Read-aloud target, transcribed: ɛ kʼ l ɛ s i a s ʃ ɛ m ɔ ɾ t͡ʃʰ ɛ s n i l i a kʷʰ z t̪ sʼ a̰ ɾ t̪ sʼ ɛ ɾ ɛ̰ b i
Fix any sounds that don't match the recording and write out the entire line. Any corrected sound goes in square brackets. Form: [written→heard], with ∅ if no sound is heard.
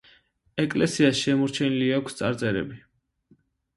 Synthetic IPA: ɛ kʼ l ɛ s i a s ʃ ɛ m ɔ ɾ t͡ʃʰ ɛ [s→∅] n i l i a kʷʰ [z→s] t̪ sʼ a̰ ɾ t̪ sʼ ɛ ɾ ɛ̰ b i